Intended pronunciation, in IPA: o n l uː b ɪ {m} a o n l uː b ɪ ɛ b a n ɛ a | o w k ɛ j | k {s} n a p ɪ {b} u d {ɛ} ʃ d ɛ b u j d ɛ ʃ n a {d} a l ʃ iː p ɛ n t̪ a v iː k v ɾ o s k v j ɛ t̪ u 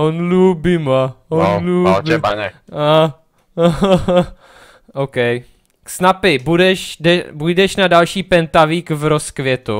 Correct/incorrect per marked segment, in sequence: correct, correct, correct, correct, correct

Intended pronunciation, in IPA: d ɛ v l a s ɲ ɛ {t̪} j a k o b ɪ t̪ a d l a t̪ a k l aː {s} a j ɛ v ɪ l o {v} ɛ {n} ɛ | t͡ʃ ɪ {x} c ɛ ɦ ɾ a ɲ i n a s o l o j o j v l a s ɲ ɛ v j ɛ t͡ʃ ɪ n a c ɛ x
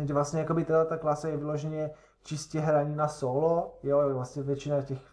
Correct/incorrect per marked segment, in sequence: incorrect: none, correct, incorrect: ʒ, incorrect: ɲ, incorrect: s

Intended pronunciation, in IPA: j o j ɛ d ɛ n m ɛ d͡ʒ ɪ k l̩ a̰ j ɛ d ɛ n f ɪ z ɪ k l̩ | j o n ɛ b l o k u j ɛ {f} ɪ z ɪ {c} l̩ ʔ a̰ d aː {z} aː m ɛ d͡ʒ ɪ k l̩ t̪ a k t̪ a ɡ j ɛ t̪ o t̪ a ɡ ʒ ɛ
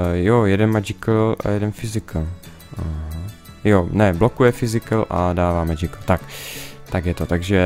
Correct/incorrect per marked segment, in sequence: correct, incorrect: k, incorrect: v

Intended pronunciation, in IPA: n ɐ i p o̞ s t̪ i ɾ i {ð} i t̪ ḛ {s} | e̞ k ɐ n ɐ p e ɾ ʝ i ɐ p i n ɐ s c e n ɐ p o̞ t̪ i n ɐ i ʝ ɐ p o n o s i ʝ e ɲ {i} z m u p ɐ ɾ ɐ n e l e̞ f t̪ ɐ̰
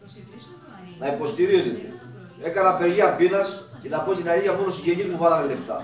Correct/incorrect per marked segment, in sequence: incorrect: z, incorrect: none, correct

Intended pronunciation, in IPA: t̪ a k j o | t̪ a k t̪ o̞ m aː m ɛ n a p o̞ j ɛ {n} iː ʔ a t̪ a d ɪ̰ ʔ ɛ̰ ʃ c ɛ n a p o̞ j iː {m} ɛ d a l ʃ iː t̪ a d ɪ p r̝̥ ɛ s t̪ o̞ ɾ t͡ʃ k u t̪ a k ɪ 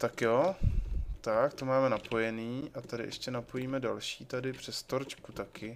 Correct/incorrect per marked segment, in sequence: correct, correct

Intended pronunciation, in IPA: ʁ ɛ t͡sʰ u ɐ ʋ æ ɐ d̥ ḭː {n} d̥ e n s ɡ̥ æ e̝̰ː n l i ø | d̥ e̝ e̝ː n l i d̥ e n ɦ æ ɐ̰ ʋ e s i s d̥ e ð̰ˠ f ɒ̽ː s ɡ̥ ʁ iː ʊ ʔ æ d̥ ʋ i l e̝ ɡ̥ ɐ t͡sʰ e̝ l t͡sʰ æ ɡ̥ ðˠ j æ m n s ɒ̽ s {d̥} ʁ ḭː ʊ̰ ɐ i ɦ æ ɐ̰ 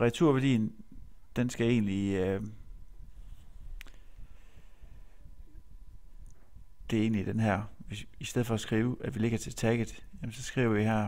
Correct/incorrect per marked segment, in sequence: correct, incorrect: ɡ̥

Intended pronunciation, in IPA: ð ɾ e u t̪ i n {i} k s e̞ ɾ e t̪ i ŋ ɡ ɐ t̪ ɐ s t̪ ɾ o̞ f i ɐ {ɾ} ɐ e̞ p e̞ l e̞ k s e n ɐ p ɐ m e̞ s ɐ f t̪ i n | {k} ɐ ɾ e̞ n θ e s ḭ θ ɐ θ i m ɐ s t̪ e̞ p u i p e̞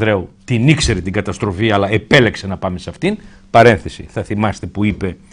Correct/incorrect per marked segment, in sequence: correct, incorrect: l, incorrect: p

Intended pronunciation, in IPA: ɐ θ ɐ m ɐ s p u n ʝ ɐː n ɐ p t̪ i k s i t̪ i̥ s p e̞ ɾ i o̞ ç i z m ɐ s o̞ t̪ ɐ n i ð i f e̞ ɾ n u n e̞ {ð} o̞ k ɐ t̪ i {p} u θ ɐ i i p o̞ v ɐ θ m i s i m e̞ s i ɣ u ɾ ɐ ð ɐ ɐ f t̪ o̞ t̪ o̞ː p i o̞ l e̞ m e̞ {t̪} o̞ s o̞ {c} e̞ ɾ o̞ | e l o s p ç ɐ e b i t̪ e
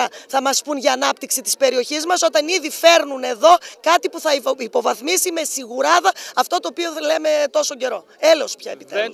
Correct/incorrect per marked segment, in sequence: correct, correct, correct, incorrect: ɟ

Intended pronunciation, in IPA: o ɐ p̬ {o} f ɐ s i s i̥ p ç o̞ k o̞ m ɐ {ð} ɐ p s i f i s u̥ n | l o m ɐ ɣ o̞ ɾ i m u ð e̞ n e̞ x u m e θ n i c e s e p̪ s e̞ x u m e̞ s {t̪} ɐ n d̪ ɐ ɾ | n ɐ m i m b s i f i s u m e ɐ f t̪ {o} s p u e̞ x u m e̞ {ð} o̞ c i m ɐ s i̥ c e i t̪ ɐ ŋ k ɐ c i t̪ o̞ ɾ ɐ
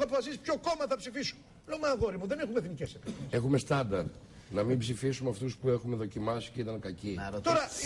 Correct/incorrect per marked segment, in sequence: correct, incorrect: θ, correct, incorrect: u, correct

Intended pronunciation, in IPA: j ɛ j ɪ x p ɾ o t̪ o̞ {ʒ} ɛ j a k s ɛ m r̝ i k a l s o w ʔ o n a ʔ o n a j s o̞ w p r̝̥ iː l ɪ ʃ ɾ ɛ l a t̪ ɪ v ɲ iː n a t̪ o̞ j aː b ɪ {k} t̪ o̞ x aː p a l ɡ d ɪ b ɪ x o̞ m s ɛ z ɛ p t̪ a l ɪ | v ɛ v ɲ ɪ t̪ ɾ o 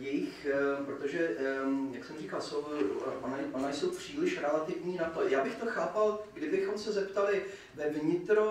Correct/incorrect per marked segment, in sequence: correct, incorrect: x

